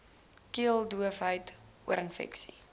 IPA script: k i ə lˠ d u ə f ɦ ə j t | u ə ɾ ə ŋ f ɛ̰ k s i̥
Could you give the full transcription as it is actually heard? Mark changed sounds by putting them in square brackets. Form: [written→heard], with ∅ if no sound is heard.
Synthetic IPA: k i ə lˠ d u ə f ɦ ə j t | u ə ɾ ə [ŋ→n] f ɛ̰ k s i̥